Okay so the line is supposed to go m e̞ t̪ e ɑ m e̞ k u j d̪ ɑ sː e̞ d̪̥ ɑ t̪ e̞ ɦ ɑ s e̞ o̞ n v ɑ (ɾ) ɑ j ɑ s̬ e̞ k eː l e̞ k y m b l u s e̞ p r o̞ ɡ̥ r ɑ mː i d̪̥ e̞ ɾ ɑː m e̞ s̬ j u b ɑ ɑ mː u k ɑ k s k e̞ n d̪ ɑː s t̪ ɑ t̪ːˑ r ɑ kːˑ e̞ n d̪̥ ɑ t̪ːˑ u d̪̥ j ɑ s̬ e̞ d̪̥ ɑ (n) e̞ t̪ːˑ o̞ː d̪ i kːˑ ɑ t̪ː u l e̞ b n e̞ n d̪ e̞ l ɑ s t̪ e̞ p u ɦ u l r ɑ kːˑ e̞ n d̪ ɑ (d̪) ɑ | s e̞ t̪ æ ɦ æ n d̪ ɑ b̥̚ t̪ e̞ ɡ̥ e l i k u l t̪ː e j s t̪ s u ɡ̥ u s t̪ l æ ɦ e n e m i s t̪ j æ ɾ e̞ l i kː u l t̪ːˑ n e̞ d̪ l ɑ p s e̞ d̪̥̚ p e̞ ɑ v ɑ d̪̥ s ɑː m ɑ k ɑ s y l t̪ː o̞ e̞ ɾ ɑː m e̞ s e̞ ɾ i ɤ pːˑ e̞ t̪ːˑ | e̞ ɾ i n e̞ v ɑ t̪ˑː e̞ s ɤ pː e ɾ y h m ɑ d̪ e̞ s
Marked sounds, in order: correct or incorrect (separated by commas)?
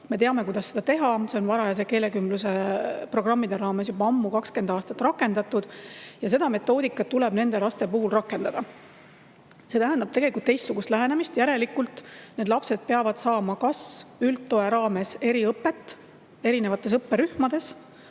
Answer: correct, incorrect, correct